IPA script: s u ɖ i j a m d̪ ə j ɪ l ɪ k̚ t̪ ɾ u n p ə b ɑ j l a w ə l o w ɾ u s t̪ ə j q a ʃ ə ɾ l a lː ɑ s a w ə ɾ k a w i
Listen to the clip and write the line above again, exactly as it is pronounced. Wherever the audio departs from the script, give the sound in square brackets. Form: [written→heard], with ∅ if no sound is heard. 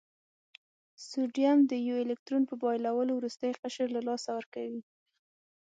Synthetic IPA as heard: s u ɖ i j a m d̪ ə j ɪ l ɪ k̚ t̪ ɾ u n p ə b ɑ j l a w ə l o w ɾ u s t̪ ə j q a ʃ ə ɾ l a [lː→l] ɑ s a w ə ɾ k a w i

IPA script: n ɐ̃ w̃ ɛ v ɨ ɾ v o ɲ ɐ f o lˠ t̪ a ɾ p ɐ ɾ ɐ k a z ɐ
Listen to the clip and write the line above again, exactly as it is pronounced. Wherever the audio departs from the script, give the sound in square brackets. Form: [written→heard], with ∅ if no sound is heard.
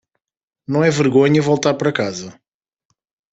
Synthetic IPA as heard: n ɐ̃ w̃ ɛ v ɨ ɾ [v→ɣ] o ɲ ɐ [f→v] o lˠ t̪ a ɾ p ɐ ɾ ɐ k a z ɐ

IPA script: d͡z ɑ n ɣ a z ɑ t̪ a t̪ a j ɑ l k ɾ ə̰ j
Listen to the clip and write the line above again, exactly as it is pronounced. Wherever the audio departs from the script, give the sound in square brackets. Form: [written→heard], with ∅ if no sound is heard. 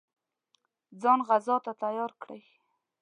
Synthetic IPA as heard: d͡z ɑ n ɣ a z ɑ t̪ a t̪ a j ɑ [l→ɾ] k [ɾ→ɽ] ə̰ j

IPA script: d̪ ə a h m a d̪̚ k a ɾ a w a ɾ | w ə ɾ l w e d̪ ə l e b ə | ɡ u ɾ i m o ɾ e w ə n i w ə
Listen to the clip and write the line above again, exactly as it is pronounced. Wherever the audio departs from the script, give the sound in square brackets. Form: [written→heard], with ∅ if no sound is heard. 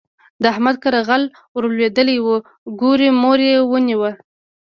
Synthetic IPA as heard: d̪ ə a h m a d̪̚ k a ɾ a [w→ɣ] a [ɾ→l] | w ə ɾ l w e d̪ ə l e [b→w] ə | ɡ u ɾ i m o ɾ e w ə n i w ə

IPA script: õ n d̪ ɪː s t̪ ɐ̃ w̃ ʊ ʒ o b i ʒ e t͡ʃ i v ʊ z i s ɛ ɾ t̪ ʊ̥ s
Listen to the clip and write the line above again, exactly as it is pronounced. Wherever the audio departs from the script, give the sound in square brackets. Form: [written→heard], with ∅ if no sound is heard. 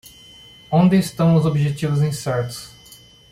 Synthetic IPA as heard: õ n d̪ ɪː s t̪ ɐ̃ w̃ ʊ [ʒ→z] o b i ʒ e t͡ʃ i v ʊ z [i→ĩ] s ɛ ɾ t̪ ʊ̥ s

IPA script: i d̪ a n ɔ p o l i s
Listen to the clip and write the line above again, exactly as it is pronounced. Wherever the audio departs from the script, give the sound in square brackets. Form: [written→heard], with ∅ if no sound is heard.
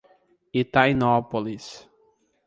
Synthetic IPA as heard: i [d̪→t̪] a n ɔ p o l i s

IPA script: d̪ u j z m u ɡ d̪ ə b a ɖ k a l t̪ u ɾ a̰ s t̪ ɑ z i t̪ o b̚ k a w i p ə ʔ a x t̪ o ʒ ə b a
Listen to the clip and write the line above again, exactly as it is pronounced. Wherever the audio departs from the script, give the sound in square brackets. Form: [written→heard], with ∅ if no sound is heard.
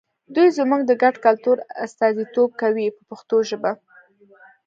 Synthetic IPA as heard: d̪ u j z m u ɡ d̪ ə [b→ɡ] a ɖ k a l t̪ u ɾ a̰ s t̪ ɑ z i t̪ o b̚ k a w i p ə [ʔ→p] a x t̪ o ʒ ə b a

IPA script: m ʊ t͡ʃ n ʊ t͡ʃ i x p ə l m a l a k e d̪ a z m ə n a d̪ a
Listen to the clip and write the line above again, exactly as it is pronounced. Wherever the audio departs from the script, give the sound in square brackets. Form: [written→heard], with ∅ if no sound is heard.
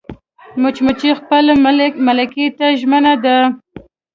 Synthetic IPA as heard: m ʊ t͡ʃ [n→m] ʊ t͡ʃ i x p ə l m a l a k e [d̪→t̪] a [z→ʒ] m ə n a d̪ a

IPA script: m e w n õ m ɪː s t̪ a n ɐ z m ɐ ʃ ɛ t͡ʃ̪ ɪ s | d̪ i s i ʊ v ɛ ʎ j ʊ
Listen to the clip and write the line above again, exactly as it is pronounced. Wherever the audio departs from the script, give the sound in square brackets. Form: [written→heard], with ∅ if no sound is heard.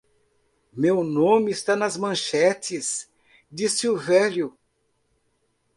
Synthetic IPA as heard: m e w n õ m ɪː s t̪ a n ɐ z m [ɐ→ɐ̃] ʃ ɛ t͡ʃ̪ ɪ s | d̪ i s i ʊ v ɛ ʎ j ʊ

